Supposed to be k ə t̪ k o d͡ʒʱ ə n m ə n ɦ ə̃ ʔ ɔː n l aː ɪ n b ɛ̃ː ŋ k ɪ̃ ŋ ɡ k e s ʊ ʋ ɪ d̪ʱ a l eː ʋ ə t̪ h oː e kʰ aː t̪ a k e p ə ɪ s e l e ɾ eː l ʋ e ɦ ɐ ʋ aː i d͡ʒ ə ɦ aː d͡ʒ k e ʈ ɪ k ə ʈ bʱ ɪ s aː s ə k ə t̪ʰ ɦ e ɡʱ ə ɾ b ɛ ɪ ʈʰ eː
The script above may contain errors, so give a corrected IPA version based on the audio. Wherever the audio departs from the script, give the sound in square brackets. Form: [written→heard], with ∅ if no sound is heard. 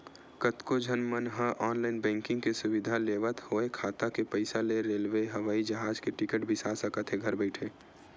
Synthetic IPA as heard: k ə t̪ k o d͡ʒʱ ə n m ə n ɦ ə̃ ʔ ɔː n l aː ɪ n b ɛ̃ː ŋ k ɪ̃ ŋ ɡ k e s ʊ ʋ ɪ d̪ʱ a l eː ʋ ə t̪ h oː e kʰ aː t̪ a k e p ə ɪ s [e→a] l e ɾ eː l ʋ e ɦ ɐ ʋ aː i d͡ʒ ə ɦ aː d͡ʒ k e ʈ ɪ k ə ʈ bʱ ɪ s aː s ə k ə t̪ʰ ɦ e ɡʱ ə ɾ b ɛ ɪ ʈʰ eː